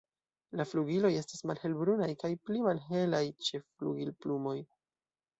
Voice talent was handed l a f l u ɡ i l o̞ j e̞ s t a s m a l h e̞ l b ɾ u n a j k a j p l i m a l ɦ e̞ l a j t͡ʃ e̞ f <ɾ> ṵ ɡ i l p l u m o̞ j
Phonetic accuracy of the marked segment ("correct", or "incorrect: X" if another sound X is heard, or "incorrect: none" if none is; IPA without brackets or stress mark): incorrect: l